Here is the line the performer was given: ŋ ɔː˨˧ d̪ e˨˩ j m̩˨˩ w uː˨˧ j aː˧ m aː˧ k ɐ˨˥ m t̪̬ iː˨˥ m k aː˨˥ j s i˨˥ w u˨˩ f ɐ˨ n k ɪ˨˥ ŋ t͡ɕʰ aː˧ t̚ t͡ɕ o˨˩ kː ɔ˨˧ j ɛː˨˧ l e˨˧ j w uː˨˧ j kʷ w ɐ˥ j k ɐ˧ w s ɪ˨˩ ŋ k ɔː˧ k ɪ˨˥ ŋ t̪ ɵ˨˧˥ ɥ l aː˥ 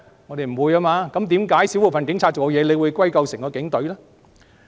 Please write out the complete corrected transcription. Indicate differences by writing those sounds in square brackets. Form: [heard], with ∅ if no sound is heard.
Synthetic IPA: ŋ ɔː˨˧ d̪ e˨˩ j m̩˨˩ w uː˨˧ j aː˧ m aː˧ k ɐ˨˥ m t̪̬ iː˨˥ m k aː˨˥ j s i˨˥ w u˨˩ f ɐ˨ n k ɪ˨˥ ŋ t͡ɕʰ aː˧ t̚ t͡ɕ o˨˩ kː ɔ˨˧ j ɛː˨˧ l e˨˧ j w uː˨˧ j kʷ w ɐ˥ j k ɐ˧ w s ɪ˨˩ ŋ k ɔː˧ k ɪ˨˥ ŋ t̪ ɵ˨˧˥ ɥ l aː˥